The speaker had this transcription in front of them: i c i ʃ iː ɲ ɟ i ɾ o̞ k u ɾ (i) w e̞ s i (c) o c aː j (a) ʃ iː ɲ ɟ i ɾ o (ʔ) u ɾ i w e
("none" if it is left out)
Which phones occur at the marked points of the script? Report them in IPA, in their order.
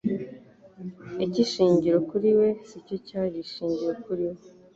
i, c, i, k

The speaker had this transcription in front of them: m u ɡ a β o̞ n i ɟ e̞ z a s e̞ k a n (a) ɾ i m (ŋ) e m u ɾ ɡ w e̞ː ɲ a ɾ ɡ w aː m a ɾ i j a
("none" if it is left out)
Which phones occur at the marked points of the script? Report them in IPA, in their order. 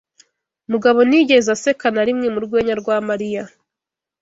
a, ŋ

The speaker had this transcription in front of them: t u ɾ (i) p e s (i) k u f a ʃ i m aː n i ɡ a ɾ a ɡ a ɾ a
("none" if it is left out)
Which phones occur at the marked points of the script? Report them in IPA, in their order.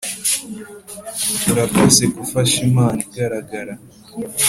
a, e

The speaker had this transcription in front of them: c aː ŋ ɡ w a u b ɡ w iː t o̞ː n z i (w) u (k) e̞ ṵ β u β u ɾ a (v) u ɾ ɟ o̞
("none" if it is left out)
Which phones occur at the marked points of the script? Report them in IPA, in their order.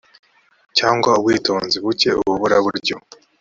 β, c, β

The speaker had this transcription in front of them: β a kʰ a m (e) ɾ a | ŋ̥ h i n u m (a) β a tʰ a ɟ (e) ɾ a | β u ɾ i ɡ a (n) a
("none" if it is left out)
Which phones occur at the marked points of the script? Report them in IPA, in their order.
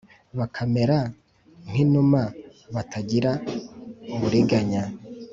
e, a, i, ɲ

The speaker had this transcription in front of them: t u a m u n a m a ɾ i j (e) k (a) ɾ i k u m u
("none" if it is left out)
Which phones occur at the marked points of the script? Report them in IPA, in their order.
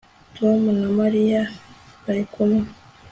a, a

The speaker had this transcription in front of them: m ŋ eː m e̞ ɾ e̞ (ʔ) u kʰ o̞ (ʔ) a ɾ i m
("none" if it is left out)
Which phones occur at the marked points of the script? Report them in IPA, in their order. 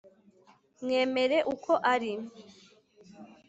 ʔ, ʔ

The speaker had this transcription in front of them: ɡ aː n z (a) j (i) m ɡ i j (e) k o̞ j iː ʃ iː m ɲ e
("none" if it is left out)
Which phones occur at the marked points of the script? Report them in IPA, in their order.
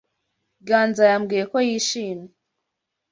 a, a, e

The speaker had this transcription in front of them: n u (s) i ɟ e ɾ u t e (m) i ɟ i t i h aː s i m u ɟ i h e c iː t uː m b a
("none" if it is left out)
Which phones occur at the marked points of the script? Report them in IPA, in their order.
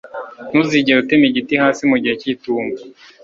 z, m

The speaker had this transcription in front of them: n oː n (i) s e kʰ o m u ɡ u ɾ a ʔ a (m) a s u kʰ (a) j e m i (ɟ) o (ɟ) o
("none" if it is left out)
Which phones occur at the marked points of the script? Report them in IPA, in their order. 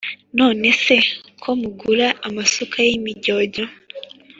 e, m, a, ɟ, ɟ

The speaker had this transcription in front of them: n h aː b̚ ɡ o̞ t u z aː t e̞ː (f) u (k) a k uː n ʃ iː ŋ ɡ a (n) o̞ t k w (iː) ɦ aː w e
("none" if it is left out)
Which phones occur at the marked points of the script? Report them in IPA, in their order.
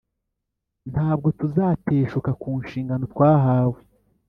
ʃ, k, n, aː

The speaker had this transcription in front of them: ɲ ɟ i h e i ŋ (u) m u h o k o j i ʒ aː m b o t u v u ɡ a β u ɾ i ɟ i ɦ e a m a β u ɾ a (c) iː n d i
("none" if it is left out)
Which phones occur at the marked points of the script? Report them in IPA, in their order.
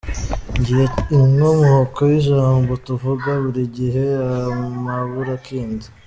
o, k

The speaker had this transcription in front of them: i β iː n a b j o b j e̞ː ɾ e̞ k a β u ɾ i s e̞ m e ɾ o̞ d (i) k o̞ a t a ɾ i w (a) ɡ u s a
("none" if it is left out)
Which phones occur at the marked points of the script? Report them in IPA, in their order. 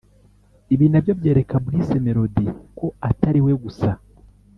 i, e

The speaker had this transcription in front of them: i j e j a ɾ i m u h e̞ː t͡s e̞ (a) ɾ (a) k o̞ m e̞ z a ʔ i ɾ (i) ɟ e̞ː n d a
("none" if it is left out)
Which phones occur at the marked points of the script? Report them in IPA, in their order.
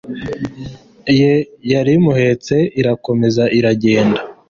i, a, a

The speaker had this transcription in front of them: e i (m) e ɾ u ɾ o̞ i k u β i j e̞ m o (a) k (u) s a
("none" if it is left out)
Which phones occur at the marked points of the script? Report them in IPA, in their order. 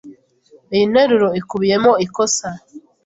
n, i, o

